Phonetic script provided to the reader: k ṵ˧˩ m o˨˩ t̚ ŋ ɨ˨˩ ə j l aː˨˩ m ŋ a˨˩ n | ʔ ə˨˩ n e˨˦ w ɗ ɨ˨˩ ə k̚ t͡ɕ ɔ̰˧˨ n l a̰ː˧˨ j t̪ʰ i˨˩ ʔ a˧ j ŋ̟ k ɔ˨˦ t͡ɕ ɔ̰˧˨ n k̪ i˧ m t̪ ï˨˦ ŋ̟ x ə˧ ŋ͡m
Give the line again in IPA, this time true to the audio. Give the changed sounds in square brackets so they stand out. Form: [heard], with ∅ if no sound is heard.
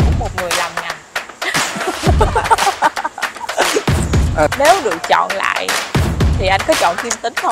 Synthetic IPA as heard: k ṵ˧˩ m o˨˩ t̚ ŋ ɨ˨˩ ə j l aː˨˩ m ŋ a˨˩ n | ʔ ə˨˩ n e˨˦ w ɗ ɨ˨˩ ə k̚ t͡ɕ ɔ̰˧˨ n l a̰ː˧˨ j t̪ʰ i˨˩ ʔ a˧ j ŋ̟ k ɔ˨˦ t͡ɕ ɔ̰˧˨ n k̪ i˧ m t̪ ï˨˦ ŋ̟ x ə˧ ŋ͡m